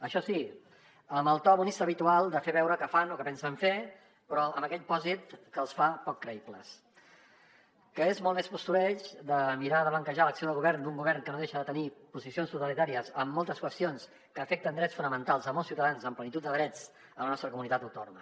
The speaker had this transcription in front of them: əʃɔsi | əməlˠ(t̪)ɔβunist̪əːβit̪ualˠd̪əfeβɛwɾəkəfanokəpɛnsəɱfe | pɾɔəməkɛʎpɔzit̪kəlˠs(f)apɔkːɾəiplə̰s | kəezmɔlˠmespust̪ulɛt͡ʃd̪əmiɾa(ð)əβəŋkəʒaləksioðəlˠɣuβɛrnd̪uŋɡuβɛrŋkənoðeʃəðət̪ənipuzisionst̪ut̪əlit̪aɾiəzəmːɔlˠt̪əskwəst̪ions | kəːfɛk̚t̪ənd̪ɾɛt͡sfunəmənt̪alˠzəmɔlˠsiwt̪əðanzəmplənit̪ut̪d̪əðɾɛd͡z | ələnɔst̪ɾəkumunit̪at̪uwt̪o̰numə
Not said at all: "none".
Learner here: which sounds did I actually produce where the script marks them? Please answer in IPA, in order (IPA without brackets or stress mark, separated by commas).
t̪, f, ð